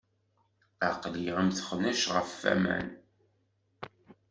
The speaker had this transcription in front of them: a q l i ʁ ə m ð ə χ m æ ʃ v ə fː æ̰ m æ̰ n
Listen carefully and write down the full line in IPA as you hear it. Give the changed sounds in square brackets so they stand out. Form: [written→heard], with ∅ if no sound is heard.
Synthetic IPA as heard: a q l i ʁ ə m [ð→θ] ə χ [m→n] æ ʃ [v→ʁ] ə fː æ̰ m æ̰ n